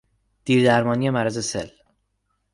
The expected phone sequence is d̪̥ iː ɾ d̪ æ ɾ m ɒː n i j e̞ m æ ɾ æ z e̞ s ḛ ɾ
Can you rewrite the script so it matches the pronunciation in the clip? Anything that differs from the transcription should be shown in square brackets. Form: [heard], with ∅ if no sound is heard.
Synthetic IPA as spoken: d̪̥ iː ɾ d̪ æ ɾ m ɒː n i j e̞ m æ ɾ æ z e̞ s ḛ [l]